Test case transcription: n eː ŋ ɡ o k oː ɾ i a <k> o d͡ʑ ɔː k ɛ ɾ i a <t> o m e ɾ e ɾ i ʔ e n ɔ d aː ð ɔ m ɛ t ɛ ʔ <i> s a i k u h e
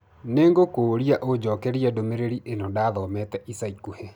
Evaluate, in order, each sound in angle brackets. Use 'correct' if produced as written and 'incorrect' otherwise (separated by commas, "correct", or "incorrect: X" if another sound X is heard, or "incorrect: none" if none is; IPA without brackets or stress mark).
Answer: incorrect: ʔ, incorrect: d, correct